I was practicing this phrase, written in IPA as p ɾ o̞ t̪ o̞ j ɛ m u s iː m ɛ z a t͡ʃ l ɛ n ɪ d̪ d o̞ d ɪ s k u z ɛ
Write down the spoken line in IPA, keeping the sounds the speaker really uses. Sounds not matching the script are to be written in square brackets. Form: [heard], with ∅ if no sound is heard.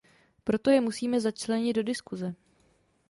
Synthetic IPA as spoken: p ɾ o̞ t̪ o̞ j ɛ m u s iː m ɛ z a t͡ʃ l ɛ [ɲ] ɪ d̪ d o̞ d ɪ s k u z ɛ